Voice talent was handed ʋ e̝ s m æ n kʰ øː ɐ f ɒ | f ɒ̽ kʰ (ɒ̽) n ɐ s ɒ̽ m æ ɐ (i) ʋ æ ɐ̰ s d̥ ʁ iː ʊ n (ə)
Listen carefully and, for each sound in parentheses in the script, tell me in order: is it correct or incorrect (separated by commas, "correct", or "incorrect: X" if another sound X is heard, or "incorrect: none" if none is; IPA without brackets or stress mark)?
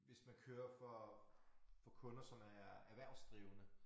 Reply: incorrect: ɔ̽, incorrect: æ, correct